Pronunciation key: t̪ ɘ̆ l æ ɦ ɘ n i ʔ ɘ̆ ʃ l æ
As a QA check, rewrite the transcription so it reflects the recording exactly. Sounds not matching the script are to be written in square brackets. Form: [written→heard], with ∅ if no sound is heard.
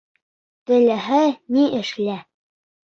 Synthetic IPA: t̪ ɘ̆ l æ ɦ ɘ n i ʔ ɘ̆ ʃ l æ